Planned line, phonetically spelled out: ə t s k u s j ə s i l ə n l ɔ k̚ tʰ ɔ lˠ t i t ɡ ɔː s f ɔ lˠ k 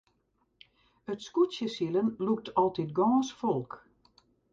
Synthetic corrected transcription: ə t s k u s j ə s i l ə n l u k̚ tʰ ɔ lˠ t i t ɡ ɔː s f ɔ lˠ k